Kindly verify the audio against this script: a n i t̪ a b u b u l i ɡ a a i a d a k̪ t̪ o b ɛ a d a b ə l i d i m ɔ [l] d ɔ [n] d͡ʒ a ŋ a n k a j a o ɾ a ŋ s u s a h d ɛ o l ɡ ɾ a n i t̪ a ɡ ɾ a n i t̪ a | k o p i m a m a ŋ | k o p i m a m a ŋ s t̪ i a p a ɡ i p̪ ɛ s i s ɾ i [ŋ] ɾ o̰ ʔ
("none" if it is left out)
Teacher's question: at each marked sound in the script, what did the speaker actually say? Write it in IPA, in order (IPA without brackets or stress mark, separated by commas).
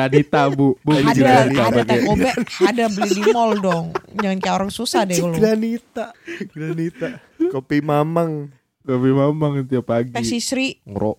l, ŋ, ŋ